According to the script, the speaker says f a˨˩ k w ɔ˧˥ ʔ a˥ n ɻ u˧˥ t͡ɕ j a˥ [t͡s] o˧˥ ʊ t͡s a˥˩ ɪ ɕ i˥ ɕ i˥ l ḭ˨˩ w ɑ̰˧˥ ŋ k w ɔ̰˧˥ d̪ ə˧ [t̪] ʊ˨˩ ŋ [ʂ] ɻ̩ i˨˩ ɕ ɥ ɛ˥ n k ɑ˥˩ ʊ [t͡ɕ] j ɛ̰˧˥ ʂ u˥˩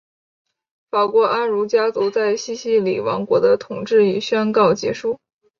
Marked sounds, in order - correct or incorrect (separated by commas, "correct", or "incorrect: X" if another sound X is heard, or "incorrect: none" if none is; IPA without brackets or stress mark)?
correct, incorrect: t̪ʰ, incorrect: ʈ͡ʂ, correct